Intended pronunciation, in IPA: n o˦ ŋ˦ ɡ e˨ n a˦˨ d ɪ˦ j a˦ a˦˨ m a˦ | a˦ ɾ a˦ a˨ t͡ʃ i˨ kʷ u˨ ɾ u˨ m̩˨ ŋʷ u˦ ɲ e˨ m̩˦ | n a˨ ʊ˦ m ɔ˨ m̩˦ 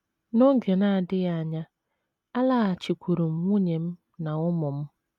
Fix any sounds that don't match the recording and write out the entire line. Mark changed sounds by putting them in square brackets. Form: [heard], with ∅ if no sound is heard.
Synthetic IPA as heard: n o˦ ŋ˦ ɡ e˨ n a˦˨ d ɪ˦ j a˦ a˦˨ [ɲ] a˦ | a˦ [l] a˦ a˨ t͡ʃ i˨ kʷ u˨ ɾ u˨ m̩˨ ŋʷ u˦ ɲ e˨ m̩˦ | n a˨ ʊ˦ m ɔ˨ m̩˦

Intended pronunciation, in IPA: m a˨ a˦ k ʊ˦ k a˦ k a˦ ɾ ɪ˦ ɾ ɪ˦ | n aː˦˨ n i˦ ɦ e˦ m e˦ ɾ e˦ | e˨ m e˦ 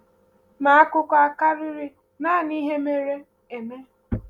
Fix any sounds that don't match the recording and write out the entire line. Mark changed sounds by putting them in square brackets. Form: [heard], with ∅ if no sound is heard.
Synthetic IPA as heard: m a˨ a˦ k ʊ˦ k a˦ k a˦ ɾ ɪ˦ ɾ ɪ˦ | n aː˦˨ n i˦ ɦ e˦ m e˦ ɾ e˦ | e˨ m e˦

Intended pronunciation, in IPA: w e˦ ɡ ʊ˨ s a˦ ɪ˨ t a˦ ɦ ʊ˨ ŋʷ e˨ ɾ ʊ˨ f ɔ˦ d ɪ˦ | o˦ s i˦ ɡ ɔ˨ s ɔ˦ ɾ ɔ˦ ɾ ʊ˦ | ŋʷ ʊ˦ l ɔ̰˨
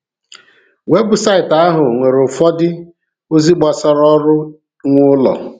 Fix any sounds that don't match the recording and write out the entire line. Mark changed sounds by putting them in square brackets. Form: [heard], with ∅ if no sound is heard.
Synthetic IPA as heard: w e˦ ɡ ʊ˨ s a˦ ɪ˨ t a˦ ɦ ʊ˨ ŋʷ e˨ ɾ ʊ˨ f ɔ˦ d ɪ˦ | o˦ [z] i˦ [ɡ͡b] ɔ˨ s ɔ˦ ɾ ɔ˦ ɾ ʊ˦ | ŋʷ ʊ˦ l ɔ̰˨

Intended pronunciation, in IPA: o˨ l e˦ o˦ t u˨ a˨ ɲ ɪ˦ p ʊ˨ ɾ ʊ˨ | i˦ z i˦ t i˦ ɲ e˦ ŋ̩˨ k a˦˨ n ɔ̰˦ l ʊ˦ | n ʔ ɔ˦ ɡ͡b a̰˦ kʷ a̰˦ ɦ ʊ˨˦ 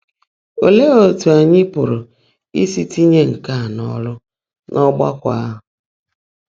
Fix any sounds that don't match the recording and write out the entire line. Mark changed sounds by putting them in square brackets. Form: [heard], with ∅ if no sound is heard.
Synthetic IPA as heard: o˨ l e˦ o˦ t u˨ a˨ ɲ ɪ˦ p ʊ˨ ɾ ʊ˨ | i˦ [s] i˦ t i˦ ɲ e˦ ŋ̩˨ k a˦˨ n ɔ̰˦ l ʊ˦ | n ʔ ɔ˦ ɡ͡b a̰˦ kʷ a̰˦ ɦ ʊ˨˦

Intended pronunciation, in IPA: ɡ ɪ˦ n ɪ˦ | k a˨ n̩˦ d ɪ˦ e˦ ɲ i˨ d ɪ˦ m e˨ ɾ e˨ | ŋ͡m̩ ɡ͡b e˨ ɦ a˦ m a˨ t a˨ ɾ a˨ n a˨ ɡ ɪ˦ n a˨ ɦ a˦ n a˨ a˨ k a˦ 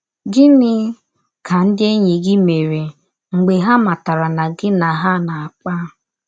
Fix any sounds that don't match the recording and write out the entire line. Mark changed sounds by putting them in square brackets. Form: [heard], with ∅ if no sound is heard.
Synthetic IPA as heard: ɡ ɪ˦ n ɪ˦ | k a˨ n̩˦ d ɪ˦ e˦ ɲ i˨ [ɡ] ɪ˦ m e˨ ɾ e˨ | ŋ͡m̩ ɡ͡b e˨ ɦ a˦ m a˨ t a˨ ɾ a˨ n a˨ ɡ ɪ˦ n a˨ ɦ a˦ n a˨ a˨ [k͡p] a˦

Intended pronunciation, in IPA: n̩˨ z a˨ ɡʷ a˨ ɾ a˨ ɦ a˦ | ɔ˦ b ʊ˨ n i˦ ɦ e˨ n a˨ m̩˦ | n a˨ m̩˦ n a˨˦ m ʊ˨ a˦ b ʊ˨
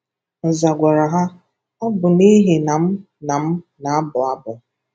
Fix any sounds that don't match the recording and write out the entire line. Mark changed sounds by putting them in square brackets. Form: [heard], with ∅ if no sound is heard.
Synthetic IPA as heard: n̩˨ z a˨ ɡʷ a˨ ɾ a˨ ɦ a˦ | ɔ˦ b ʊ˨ n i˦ ɦ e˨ n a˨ m̩˦ | n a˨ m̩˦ n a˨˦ [b] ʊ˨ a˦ b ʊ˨

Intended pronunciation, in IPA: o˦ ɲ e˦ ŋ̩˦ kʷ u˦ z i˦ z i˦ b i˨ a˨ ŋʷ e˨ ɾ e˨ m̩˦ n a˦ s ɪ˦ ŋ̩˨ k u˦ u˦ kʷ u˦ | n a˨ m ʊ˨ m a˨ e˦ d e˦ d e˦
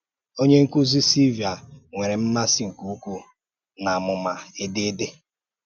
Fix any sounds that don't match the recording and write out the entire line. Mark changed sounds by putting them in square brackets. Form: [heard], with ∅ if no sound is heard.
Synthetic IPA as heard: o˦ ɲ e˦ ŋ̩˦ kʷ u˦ z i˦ [s] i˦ [v] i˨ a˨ ŋʷ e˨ ɾ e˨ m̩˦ n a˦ s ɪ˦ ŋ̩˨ k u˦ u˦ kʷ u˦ | n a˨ m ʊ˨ m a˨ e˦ d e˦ d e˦

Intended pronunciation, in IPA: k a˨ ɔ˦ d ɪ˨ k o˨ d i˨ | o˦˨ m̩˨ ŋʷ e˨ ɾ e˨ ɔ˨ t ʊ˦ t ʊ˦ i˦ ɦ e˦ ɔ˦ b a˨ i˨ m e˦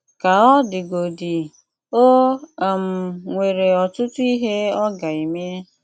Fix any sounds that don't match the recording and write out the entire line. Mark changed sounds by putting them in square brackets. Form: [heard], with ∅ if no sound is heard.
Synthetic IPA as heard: k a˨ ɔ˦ d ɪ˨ [ɡ] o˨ d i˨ | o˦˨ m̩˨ ŋʷ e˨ ɾ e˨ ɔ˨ t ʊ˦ t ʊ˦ i˦ ɦ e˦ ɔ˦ [ɡ] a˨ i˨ m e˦

